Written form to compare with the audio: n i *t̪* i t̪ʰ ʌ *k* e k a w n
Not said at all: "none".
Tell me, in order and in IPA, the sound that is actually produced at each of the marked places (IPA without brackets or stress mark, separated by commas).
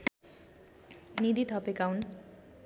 d̪, p